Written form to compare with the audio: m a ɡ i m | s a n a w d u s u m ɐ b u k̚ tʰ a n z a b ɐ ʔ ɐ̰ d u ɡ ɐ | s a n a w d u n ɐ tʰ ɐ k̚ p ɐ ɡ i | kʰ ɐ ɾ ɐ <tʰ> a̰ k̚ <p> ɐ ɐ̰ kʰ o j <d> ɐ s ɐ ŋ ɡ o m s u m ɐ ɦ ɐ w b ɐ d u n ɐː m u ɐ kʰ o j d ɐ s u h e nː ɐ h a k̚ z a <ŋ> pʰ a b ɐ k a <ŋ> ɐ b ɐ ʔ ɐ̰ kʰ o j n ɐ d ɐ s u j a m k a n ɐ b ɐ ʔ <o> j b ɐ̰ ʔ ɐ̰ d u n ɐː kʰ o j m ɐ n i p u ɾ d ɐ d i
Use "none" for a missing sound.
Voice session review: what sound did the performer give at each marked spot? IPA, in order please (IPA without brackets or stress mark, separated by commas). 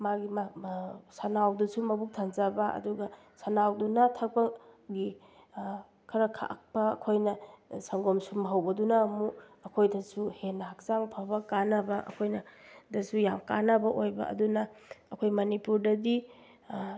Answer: kʰ, p, n, ŋ, n, o